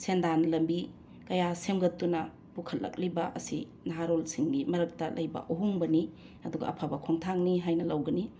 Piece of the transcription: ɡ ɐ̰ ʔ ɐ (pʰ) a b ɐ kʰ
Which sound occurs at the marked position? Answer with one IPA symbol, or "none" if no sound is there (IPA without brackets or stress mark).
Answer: pʰ